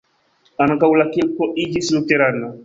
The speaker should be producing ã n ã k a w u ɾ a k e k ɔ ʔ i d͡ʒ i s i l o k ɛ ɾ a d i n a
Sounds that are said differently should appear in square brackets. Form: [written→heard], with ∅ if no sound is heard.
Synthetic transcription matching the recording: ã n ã k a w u [ɾ→l] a k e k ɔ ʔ i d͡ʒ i s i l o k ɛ ɾ a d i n a